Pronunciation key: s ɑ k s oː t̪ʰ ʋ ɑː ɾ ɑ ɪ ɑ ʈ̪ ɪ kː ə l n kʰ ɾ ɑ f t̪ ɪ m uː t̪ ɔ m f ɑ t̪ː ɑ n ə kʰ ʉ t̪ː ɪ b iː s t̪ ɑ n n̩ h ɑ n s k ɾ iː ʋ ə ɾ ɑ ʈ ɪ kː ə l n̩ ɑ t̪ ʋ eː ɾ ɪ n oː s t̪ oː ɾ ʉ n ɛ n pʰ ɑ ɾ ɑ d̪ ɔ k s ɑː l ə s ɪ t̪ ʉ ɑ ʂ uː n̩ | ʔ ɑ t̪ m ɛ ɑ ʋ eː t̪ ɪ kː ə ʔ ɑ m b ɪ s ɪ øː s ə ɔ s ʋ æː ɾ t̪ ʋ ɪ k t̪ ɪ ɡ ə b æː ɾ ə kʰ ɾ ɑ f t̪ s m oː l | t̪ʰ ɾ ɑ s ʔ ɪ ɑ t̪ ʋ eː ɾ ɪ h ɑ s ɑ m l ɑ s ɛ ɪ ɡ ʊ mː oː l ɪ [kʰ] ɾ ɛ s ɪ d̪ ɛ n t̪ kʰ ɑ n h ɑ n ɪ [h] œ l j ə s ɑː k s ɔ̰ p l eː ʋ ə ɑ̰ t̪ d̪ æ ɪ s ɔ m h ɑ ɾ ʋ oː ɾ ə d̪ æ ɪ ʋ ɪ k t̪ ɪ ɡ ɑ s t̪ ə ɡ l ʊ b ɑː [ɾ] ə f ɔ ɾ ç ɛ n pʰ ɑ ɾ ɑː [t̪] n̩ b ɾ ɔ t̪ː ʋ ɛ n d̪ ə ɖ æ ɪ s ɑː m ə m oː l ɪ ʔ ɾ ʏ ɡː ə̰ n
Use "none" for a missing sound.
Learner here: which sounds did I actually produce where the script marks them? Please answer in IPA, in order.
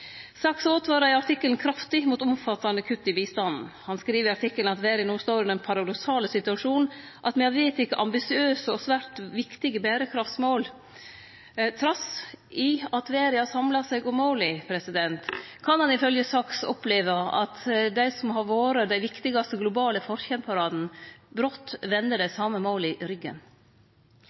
pʰ, f, l, d̪

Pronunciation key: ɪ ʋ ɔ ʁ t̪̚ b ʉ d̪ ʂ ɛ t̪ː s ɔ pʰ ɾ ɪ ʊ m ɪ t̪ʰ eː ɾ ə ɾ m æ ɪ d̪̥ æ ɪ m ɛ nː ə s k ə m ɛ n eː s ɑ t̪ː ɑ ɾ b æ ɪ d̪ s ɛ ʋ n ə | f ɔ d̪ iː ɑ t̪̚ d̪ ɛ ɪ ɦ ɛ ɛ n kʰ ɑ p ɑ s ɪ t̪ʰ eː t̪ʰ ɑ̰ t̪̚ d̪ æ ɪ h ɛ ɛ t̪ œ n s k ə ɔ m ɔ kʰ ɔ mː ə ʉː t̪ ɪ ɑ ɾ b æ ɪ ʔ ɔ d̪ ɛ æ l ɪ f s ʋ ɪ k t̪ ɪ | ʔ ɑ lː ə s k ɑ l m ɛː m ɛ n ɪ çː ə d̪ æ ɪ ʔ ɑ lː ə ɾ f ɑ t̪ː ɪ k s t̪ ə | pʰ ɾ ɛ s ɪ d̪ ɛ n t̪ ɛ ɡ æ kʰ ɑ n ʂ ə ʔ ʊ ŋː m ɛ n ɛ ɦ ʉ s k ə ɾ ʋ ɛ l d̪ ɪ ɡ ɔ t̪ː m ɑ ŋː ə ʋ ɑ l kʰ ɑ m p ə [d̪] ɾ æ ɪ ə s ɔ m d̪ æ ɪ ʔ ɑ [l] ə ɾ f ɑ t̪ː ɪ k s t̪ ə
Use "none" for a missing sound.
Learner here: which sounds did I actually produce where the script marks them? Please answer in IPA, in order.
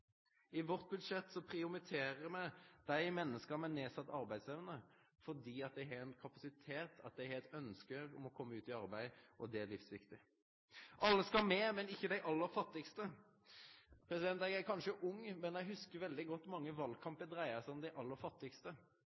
d̪, lː

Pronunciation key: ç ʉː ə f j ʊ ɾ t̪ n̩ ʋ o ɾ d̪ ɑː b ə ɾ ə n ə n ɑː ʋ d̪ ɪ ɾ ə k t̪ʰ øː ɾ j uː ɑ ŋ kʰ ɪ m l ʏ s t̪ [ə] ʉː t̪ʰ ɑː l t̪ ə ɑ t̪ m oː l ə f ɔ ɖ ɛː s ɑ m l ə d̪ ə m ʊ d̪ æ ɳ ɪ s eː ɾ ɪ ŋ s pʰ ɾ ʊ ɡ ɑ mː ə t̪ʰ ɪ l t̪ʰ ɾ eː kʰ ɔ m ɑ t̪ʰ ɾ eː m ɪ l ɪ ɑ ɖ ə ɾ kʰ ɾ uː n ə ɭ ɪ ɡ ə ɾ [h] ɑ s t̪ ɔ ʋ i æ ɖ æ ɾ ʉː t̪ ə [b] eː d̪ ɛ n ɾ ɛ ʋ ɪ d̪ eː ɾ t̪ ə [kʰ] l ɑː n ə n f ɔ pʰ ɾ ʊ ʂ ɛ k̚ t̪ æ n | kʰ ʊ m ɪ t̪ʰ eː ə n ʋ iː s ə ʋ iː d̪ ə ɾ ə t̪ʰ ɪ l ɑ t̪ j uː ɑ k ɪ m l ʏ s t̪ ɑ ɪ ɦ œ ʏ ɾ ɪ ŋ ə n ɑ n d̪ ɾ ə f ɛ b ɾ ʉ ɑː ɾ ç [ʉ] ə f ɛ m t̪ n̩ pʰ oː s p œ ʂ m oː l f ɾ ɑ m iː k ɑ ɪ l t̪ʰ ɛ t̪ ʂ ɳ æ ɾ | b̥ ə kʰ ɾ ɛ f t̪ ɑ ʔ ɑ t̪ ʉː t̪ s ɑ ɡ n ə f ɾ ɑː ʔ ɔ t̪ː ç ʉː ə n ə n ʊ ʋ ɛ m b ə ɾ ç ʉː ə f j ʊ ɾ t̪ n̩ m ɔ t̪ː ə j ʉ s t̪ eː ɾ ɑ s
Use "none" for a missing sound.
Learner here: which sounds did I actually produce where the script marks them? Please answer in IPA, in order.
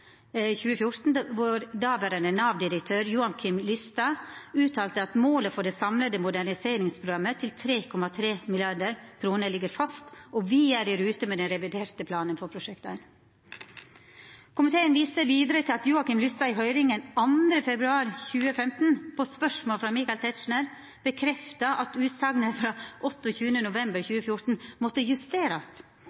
ɑ, f, m, pʰ, ʉː

